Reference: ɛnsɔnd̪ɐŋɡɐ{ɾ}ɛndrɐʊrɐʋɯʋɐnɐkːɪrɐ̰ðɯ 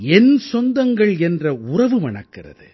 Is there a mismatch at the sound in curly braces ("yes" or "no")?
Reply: yes